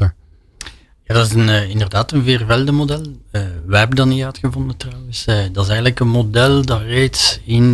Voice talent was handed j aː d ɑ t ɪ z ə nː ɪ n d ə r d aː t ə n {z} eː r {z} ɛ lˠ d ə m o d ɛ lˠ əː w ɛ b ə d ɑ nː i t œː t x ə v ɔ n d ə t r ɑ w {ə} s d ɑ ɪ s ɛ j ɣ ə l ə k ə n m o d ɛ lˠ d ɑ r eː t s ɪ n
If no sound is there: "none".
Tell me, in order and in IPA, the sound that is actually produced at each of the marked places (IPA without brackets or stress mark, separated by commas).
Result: v, v, ə